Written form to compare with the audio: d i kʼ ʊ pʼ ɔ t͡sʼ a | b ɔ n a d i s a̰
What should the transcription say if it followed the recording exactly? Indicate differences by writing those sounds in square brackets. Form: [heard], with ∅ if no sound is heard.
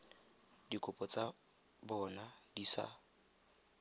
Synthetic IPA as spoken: d i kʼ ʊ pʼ ɔ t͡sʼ a | b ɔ n a d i s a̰